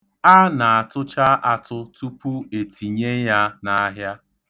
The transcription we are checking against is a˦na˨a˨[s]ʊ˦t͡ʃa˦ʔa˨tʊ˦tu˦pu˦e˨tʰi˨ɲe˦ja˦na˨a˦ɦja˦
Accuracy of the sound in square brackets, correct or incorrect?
incorrect